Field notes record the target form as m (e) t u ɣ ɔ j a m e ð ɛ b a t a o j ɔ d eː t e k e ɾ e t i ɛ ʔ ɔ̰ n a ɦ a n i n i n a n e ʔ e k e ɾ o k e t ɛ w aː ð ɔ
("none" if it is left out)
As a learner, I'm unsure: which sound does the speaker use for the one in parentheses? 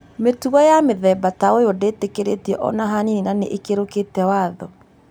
e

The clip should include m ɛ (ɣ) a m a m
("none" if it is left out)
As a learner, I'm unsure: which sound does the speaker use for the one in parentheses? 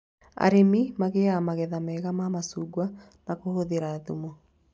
ɣ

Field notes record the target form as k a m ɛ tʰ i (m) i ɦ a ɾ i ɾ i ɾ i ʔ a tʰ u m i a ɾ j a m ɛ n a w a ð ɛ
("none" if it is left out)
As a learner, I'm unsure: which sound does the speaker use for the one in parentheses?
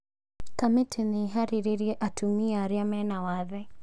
n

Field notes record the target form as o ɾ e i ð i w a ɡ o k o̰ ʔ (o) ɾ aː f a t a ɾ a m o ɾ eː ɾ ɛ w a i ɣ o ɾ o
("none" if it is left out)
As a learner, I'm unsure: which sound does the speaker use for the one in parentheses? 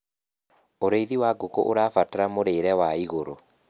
o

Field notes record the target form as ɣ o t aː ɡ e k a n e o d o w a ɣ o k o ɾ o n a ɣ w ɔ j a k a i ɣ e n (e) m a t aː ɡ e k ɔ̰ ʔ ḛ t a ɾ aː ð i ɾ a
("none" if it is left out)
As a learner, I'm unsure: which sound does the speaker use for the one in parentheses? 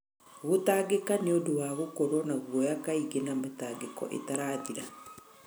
a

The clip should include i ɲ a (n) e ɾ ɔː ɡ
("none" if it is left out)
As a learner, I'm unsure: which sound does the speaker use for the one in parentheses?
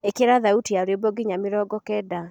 m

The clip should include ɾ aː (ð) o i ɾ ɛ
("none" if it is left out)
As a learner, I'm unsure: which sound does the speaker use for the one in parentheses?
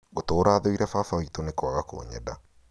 ð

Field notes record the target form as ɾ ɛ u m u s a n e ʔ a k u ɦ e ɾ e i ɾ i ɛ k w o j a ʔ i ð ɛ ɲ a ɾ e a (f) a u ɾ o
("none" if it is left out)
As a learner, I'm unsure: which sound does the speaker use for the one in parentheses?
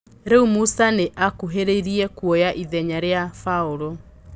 f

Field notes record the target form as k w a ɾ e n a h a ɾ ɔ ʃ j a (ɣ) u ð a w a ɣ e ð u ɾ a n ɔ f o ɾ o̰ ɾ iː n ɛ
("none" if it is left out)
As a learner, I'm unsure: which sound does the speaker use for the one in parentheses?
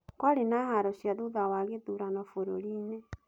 ð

